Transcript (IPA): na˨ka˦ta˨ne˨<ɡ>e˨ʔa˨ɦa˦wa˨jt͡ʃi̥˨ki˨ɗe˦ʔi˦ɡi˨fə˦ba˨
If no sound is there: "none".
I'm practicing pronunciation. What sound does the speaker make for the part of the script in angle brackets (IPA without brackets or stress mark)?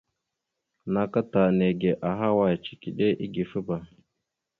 ɡ